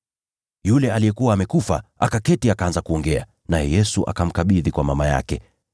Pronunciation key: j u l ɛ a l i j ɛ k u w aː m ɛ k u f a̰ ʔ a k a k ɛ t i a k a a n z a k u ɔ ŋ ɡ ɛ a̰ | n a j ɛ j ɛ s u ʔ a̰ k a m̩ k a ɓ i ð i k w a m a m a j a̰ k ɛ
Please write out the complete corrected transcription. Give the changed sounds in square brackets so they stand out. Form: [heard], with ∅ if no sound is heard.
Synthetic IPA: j u l ɛ a l i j ɛ k u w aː m ɛ k u f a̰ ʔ a k a k ɛ t i a k a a n z a k u ɔ ŋ ɡ ɛ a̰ | n a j ɛ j ɛ s u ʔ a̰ k a m̩ k a ɓ i ð i k w a m a m a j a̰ k ɛ

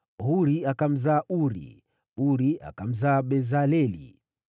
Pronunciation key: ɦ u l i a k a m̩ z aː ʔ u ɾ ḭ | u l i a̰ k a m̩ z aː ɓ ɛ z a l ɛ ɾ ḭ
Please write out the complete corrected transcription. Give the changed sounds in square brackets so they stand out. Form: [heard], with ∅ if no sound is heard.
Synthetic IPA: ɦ u [ɾ] i a k a m̩ z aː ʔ u ɾ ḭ | u [ɾ] i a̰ k a m̩ z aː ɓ ɛ z a l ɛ [l] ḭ

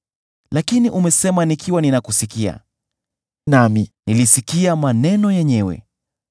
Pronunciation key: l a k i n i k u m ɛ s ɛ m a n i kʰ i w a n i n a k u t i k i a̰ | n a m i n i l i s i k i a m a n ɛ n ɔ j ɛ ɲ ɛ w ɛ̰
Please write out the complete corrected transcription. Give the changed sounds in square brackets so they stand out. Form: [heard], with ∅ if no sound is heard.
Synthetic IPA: l a k i n i [ʔ] u m ɛ s ɛ m a n i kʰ i w a n i n a k u [s] i k i a̰ | n a m i n i l i s i k i a m a n ɛ n ɔ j ɛ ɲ ɛ w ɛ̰

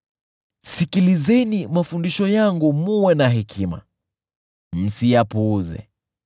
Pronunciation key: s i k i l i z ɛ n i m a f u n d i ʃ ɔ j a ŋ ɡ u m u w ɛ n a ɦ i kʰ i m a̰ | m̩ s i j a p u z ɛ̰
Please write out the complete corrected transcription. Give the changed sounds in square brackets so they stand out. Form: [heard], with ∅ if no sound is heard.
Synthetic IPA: s i k i l i z ɛ n i m a f u n d i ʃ ɔ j a ŋ ɡ u m u w ɛ n a ɦ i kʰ i m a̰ | m̩ s i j a p u z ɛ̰

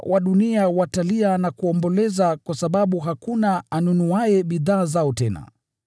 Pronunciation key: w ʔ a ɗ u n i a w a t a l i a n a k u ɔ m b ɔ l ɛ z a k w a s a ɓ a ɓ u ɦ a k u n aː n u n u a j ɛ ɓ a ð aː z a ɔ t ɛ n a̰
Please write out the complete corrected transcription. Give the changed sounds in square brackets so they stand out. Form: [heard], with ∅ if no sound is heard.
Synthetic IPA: w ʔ a ɗ u n i a w a t a l i a n a k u ɔ m b ɔ l ɛ z a k w a s a ɓ a ɓ u ɦ a k u n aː n u n u a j ɛ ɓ [i] ð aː z a ɔ t ɛ n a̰

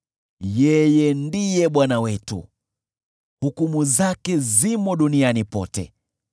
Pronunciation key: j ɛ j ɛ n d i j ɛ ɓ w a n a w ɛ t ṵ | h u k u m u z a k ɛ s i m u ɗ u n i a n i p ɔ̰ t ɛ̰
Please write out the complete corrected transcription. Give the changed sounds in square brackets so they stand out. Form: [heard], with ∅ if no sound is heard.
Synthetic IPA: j ɛ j ɛ n d i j ɛ ɓ w a n a w ɛ t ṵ | h u k u m u z a k ɛ [z] i m [ɔ] ɗ u n i a n i p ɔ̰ t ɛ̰

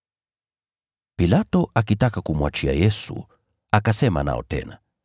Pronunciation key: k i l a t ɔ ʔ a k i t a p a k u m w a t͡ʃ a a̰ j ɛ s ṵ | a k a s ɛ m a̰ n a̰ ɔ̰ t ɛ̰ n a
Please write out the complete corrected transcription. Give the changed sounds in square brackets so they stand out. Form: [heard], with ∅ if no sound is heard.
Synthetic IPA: [p] i l a t ɔ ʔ a k i t a [k] a k u m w a t͡ʃ [i] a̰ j ɛ s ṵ | a k a s ɛ m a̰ n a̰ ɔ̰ t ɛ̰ n a

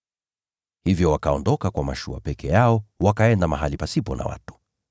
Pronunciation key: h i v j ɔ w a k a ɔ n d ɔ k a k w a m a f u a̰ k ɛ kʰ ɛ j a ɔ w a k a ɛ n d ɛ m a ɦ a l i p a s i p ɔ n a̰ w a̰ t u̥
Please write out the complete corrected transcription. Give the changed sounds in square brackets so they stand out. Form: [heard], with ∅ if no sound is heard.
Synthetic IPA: h i v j ɔ w a k a ɔ n d ɔ k a k w a m a [ʃ] u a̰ [p] ɛ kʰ ɛ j a ɔ w a k a ɛ n d [a] m a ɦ a l i p a s i p ɔ n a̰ w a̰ t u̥

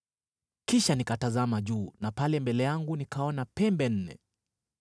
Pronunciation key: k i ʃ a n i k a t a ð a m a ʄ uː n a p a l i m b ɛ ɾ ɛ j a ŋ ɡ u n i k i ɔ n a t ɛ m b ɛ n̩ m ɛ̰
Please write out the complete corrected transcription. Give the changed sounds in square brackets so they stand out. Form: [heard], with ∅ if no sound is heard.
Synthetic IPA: k i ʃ a n i k a t a [z] a m a ʄ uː n a p a l [ɛ] m b ɛ [l] ɛ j a ŋ ɡ u n i k [a] ɔ n a [p] ɛ m b ɛ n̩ [n] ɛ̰

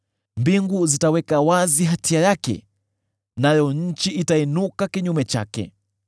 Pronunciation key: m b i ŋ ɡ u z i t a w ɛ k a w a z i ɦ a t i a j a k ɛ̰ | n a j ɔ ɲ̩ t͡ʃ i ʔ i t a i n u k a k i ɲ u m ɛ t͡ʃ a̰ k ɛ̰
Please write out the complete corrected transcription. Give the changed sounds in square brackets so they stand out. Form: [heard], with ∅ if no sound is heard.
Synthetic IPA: m b i ŋ ɡ u z i t a w ɛ k a w a z i ɦ a t i a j a k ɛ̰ | n a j ɔ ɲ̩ t͡ʃ i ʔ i t a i n u k a k i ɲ u m ɛ t͡ʃ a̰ k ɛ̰

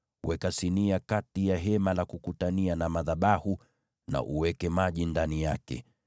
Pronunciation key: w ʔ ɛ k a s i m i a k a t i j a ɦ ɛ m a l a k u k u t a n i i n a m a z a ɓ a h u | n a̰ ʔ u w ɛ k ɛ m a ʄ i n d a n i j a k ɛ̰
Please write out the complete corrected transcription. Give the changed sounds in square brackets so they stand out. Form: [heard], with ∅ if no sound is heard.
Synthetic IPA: w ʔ ɛ k a s i [n] i a k a t i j a ɦ ɛ m a l a k u k u t a n i [a] n a m a [ð] a ɓ a h u | n a̰ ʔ u w ɛ k ɛ m a ʄ i n d a n i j a k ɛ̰

